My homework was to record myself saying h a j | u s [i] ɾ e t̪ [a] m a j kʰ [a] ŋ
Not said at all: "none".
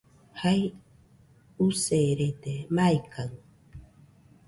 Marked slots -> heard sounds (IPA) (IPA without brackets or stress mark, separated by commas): e, e, a